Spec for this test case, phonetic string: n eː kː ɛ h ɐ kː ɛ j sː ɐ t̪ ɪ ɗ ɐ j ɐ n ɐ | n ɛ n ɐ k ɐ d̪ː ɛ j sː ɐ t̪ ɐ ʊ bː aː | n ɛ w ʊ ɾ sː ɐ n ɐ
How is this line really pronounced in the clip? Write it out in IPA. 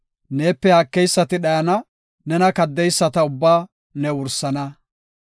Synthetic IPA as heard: n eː pː ɛ h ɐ kː ɛ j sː ɐ t̪ ɪ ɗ ɐ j ɐ n ɐ | n ɛ n ɐ k ɐ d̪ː ɛ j sː ɐ t̪ ɐ ʊ bː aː | n ɛ w ʊ ɾ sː ɐ n ɐ